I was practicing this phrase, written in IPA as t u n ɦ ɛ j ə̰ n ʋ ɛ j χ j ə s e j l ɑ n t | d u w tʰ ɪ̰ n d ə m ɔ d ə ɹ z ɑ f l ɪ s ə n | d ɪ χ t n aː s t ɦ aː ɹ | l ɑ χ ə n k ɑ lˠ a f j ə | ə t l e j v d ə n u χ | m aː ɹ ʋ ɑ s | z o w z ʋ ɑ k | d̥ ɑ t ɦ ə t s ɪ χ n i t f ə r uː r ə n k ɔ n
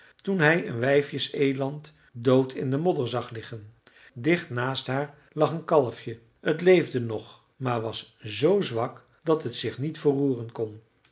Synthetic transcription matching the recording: t u n ɦ ɛ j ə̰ n ʋ ɛ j f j ə s e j l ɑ n t | d o w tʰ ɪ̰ n d ə m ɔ d ə ɹ z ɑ χ l ɪ χ ə n | d ɪ χ t n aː s t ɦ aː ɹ | l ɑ χ ə n k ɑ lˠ ə f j ə | ə t l e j v d ə n ɔ χ | m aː ɹ ʋ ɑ s | z o w z ʋ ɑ k | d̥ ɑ t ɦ ə t s ɪ χ n i t f ə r uː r ə n k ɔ n